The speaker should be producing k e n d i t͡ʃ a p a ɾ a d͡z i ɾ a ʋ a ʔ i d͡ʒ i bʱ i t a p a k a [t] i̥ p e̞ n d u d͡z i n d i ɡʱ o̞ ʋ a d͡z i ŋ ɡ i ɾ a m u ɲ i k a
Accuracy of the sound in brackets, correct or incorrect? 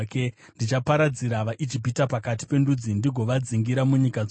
correct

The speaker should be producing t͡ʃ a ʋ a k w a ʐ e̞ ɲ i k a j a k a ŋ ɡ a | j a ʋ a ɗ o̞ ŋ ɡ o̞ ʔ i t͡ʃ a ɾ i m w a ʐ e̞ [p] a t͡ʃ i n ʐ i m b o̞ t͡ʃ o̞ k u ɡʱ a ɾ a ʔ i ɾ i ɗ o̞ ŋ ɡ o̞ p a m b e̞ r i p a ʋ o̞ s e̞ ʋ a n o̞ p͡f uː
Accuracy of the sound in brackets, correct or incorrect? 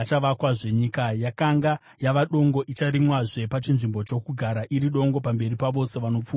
correct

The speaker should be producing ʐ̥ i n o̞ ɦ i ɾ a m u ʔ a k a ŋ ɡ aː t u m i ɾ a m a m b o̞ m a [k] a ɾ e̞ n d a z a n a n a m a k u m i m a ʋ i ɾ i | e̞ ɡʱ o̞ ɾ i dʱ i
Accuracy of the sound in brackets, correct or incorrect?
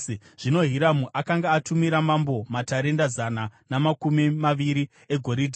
incorrect: t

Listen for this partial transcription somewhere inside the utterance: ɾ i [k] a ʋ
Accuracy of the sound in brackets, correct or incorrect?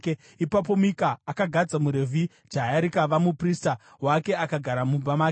correct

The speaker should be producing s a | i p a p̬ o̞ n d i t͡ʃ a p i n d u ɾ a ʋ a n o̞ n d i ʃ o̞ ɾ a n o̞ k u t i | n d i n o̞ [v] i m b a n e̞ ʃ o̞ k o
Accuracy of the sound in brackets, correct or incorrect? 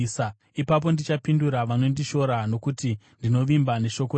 incorrect: ʋ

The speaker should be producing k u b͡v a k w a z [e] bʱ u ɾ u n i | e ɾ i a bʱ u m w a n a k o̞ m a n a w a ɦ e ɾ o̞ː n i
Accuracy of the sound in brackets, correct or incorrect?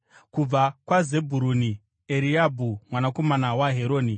correct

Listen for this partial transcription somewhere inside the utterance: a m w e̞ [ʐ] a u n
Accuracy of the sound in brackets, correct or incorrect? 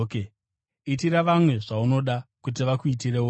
correct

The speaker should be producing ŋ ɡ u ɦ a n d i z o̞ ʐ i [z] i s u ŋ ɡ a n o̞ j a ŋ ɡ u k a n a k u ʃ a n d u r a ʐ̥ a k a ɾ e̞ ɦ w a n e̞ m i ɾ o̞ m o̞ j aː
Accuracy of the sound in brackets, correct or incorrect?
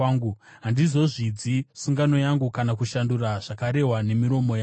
incorrect: d͡z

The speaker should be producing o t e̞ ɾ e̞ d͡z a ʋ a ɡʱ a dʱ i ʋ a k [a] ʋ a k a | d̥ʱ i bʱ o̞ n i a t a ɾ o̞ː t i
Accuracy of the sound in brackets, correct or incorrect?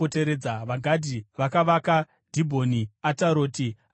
correct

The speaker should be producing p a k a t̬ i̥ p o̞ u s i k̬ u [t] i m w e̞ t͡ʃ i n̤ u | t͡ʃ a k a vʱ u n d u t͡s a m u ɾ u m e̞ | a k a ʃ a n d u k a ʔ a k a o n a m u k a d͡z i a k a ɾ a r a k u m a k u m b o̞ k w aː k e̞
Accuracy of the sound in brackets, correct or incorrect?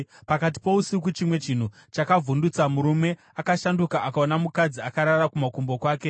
incorrect: t͡ʃ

